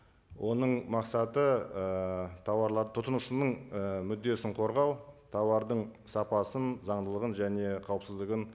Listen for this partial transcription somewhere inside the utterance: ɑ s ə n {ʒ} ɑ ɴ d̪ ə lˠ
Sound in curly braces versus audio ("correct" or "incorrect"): incorrect